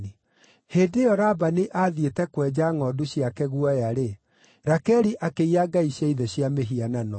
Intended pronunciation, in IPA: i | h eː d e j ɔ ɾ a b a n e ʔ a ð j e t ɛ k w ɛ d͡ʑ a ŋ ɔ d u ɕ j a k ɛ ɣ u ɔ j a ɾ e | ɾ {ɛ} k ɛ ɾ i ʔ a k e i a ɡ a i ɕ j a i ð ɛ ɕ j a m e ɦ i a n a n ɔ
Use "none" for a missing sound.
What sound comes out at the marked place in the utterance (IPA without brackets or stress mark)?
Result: a